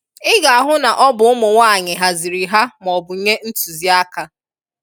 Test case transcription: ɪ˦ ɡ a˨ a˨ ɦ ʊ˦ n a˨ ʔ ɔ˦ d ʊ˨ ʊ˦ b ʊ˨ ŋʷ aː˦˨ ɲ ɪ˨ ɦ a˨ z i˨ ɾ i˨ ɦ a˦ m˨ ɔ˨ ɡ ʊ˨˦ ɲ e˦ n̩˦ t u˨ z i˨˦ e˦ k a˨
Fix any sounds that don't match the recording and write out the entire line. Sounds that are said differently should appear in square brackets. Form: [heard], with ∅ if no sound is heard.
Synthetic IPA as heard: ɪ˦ ɡ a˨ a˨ ɦ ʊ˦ n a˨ ʔ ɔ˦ [b] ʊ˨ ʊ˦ [m] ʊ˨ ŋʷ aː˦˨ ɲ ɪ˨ ɦ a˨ z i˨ ɾ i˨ ɦ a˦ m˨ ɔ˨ [b] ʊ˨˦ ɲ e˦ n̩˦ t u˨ z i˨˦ [a˦] k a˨